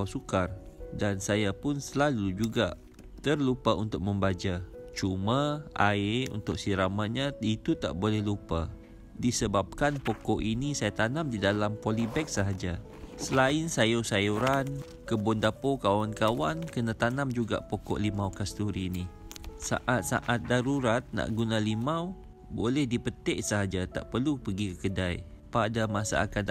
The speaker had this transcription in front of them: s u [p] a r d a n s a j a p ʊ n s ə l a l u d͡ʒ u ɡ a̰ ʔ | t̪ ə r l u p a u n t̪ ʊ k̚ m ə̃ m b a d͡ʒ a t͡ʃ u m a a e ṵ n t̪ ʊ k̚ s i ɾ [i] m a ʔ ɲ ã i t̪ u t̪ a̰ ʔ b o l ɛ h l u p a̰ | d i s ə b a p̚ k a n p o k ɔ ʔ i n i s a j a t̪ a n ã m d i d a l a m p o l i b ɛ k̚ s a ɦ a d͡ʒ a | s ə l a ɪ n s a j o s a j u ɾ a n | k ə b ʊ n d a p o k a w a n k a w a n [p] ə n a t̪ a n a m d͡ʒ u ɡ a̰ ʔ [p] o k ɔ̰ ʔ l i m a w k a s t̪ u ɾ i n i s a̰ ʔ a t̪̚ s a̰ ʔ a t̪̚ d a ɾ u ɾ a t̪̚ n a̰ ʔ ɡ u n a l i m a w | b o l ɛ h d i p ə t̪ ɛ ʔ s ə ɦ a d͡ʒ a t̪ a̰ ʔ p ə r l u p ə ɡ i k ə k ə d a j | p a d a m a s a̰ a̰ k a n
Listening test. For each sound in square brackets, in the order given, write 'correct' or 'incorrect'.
incorrect, incorrect, incorrect, correct

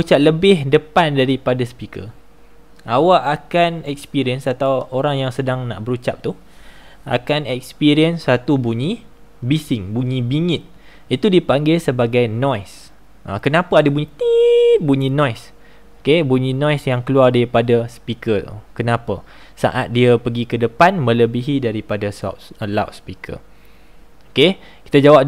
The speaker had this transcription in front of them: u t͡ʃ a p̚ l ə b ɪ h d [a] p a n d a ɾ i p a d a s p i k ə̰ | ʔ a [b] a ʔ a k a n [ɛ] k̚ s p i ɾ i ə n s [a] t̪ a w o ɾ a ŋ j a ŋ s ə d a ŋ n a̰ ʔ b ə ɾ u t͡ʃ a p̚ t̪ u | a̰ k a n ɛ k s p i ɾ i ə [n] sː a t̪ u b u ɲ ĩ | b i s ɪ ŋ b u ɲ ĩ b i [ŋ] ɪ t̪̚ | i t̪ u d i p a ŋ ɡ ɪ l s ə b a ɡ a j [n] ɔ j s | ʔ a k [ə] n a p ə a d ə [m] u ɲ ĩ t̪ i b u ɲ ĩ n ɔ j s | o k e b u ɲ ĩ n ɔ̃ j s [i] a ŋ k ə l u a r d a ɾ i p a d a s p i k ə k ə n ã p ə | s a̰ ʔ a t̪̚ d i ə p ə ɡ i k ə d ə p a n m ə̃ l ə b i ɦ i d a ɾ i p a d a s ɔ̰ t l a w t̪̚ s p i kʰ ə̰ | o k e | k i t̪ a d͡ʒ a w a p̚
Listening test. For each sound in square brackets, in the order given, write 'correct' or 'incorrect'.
incorrect, incorrect, correct, correct, correct, correct, correct, correct, incorrect, incorrect

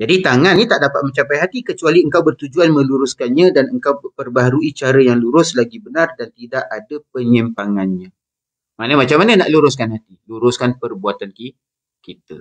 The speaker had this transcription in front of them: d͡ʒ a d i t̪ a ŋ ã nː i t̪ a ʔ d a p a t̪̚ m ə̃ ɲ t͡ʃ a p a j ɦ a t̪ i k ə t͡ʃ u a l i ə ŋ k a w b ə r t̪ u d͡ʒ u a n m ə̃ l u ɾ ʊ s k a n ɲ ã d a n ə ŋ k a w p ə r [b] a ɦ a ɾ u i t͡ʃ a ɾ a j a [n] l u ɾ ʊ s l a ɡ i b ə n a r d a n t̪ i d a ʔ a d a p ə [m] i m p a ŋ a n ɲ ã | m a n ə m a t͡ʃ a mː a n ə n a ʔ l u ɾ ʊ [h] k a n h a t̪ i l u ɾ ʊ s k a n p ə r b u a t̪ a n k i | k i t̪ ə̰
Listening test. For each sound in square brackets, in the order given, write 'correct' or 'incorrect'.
correct, incorrect, incorrect, incorrect

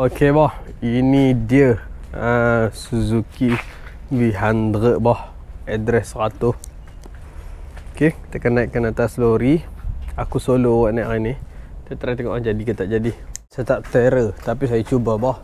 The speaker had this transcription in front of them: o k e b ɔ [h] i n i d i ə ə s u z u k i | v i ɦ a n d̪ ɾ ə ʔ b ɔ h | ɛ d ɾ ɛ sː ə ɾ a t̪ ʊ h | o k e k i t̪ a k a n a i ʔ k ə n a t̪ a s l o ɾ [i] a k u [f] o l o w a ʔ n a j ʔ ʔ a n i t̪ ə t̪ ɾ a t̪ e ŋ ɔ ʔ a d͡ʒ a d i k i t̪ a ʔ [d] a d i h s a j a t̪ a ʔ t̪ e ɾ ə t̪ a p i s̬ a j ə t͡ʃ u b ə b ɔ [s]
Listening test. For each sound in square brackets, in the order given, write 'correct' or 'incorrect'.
correct, correct, incorrect, incorrect, incorrect

